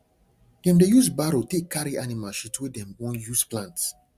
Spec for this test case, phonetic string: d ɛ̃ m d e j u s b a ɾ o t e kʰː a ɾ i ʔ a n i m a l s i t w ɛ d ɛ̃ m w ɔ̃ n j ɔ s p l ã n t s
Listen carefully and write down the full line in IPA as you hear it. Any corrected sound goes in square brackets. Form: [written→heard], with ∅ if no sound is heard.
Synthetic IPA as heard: d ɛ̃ m d e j u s b a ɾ o t e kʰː a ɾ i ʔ a n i m a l [s→ʃ] i t w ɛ d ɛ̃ m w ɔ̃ n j [ɔ→u] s p l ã n t s